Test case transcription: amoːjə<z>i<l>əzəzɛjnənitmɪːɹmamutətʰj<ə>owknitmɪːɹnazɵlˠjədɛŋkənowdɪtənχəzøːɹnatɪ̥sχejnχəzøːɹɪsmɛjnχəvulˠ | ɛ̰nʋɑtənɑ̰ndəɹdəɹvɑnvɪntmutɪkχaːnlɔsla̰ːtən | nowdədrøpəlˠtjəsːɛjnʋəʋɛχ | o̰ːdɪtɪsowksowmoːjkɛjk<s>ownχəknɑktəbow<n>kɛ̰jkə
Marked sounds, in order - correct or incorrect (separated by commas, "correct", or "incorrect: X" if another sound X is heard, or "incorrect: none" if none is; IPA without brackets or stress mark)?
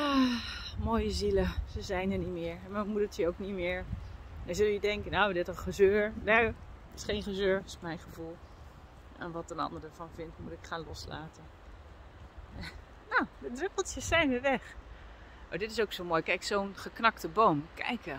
correct, correct, correct, correct, incorrect: m